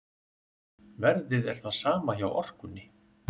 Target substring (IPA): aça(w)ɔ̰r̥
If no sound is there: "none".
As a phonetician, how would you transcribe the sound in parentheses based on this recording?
w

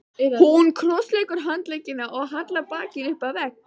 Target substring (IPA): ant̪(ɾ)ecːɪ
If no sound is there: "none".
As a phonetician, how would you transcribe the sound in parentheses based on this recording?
l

